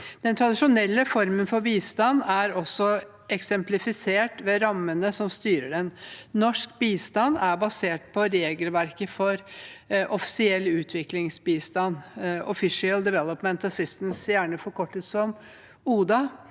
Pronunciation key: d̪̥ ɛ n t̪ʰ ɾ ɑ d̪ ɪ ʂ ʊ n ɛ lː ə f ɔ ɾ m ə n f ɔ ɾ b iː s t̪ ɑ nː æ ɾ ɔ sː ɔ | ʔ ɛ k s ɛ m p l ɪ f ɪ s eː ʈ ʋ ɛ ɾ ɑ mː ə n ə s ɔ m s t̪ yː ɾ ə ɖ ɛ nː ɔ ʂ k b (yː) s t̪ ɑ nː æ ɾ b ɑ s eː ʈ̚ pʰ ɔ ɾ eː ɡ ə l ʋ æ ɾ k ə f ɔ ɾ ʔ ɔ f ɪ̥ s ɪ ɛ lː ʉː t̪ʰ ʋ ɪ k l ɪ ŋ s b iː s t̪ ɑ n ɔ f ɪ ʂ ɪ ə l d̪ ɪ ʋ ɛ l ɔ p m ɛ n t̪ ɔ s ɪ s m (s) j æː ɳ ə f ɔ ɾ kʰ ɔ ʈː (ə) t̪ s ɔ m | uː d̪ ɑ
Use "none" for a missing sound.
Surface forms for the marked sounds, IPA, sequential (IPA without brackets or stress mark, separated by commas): iː, s, ə